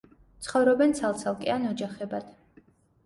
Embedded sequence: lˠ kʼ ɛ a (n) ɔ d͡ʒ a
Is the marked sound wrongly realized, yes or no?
no